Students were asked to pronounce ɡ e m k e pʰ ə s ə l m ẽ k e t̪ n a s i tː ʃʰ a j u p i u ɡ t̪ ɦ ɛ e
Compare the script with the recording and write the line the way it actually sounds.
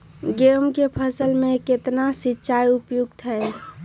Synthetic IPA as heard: ɡ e m k e pʰ ə s ə l m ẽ k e t̪ n a s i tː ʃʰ a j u p j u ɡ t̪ ɦ ɛ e